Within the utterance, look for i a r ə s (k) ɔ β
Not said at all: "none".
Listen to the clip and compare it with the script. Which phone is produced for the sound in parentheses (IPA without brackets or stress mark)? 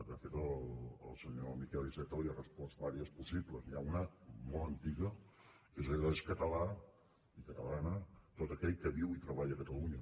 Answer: p